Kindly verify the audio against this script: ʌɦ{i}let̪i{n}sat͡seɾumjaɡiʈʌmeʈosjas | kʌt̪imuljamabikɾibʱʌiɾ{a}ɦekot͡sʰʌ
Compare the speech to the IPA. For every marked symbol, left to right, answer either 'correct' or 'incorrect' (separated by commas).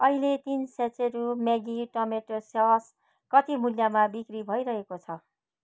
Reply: correct, correct, incorrect